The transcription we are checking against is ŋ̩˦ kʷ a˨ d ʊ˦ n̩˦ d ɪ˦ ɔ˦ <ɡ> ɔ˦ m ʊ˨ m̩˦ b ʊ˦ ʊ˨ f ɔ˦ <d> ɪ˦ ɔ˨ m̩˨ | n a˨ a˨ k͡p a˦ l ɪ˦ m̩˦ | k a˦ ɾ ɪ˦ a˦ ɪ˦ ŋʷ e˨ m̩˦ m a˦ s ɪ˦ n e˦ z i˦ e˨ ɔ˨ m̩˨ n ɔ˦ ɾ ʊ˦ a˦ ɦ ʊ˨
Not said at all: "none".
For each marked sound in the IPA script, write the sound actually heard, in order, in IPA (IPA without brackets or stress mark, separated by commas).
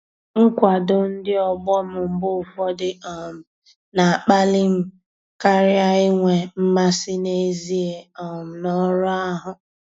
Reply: ɡ͡b, d